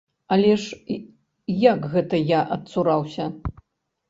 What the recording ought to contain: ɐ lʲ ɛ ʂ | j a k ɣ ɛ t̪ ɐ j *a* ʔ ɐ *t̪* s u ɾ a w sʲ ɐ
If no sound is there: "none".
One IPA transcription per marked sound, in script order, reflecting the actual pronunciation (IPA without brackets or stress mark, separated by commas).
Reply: a, t̪